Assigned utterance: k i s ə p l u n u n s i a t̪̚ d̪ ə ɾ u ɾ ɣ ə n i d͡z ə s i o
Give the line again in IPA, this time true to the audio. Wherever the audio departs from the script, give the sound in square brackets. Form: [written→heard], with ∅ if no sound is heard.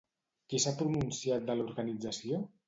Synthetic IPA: k i s [ə→a] p [l→ɾ] u n u n s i a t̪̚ d̪ ə [ɾ→l] u ɾ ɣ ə n i d͡z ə s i o